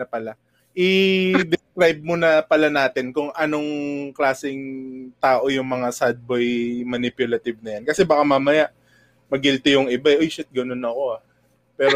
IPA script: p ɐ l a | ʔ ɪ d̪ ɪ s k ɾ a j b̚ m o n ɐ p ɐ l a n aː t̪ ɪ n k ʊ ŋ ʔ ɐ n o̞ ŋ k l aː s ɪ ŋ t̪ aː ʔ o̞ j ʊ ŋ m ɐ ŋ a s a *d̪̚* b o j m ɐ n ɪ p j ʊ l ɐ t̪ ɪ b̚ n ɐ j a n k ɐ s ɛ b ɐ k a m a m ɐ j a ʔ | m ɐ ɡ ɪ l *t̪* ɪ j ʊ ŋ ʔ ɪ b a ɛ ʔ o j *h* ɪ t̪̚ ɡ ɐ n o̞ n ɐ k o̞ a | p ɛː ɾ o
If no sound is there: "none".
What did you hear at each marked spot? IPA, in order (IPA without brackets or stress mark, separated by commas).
d̪̚, t̪, ʃ